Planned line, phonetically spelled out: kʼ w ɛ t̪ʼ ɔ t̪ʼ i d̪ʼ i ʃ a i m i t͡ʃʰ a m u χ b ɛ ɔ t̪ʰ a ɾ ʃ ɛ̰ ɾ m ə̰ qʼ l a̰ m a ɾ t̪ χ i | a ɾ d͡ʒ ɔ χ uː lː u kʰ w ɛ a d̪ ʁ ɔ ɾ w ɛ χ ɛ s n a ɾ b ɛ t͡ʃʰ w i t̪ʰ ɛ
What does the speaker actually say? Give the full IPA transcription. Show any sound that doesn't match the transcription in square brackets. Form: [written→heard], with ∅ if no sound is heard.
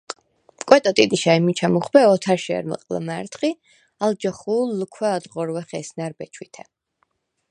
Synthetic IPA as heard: kʼ w ɛ t̪ʼ ɔ t̪ʼ i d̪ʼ i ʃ a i m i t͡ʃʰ a m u χ b ɛ ɔ t̪ʰ a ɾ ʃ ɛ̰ ɾ m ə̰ qʼ l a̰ m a ɾ t̪ χ i | a [ɾ→l] d͡ʒ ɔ χ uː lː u kʰ w ɛ a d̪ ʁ ɔ ɾ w ɛ χ ɛ s n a ɾ b ɛ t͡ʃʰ w i t̪ʰ ɛ